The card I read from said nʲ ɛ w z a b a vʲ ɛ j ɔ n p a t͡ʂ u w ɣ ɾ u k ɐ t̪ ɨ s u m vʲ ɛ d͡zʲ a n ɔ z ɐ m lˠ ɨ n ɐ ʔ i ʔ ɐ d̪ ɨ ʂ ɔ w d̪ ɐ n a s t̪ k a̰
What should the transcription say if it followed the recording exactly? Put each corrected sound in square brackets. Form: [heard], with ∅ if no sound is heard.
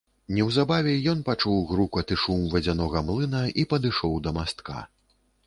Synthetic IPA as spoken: nʲ ɛ w z a b a vʲ ɛ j ɔ n p a t͡ʂ u w ɣ ɾ u k ɐ t̪ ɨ [ʂ] u m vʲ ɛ d͡zʲ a n ɔ [ɣ] ɐ m lˠ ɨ n ɐ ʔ i [p] ɐ d̪ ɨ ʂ ɔ w d̪ ɐ [m] a s t̪ k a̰